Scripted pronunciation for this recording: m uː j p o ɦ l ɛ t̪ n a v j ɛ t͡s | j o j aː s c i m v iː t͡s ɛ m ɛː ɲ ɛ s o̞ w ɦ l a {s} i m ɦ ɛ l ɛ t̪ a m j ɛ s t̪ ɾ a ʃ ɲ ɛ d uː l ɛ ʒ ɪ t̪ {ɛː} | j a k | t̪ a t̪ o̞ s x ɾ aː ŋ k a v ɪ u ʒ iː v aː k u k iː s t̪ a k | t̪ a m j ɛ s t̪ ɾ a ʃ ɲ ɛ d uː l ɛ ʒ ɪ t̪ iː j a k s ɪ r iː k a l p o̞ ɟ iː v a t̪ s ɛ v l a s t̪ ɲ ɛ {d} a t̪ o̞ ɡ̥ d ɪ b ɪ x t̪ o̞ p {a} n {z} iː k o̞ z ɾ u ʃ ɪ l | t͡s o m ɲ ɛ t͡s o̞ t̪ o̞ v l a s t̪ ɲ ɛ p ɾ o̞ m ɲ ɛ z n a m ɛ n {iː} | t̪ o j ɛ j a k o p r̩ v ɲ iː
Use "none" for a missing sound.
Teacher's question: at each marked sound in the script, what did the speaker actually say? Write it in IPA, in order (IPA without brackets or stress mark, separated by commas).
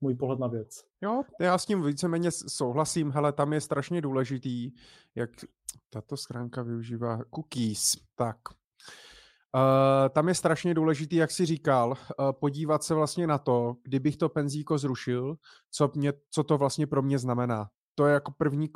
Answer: s, iː, n, ɛ, z, aː